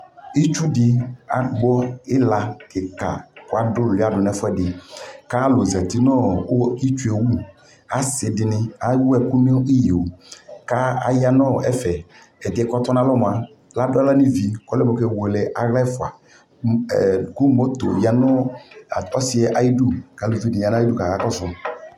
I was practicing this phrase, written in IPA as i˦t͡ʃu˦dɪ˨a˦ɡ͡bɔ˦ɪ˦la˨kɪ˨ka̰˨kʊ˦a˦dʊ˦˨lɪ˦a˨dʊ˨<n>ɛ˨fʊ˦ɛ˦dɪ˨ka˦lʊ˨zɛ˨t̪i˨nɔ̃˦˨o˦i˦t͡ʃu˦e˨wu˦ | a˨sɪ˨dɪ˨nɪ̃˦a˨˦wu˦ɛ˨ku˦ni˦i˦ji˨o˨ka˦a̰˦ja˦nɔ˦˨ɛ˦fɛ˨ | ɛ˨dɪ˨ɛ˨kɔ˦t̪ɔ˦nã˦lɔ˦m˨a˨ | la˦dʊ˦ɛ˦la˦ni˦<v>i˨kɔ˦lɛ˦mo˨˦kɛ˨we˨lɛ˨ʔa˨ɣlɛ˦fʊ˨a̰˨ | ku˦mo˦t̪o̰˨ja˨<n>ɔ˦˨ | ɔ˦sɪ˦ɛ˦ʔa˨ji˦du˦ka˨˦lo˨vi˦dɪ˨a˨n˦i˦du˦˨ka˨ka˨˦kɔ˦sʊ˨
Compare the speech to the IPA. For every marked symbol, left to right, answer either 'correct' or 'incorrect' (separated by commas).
correct, correct, correct